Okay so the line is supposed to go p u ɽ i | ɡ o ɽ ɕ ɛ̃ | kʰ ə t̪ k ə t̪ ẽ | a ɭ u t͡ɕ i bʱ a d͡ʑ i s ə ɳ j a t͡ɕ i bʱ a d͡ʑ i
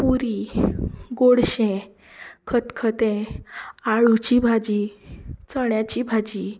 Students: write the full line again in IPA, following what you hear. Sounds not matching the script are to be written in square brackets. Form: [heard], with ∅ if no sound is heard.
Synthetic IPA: p u [ɾ] i | ɡ o ɽ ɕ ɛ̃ | kʰ ə t̪ [kʰ] ə t̪ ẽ | a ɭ u t͡ɕ i bʱ a d͡ʑ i [t͡s] ə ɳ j a t͡ɕ i bʱ a d͡ʑ i